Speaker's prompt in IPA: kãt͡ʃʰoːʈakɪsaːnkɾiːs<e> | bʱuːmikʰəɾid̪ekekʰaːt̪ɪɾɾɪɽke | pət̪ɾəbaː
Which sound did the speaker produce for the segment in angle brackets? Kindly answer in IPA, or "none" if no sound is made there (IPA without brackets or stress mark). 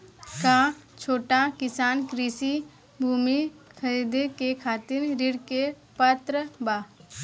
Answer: i